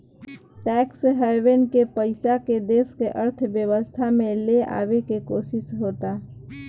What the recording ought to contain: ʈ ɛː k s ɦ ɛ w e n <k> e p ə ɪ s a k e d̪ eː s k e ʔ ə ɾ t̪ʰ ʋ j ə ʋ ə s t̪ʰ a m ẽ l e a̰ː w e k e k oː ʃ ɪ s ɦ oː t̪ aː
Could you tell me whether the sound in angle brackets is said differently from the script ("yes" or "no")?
no